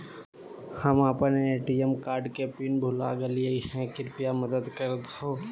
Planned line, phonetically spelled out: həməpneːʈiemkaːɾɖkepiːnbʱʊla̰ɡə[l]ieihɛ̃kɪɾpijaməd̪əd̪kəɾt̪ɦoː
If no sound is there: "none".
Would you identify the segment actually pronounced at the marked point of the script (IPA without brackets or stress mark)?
l